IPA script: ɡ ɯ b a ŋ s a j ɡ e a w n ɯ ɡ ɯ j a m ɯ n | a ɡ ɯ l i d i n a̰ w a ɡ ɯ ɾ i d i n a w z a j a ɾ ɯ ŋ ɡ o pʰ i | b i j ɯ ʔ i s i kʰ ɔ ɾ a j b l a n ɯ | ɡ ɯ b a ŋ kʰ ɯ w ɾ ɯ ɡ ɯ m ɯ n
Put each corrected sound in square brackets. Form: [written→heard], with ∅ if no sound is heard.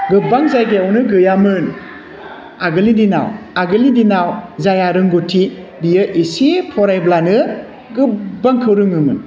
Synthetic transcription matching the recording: ɡ ɯ b a ŋ [s→z] a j ɡ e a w n ɯ ɡ ɯ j a m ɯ n | a ɡ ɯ l i d i n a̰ w a ɡ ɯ [ɾ→l] i d i n a w z a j a ɾ ɯ ŋ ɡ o [pʰ→tʰ] i | b i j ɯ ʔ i s i [kʰ→pʰ] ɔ ɾ a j b l a n ɯ | ɡ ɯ b a ŋ kʰ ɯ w ɾ ɯ [ɡ→ŋ] ɯ m ɯ n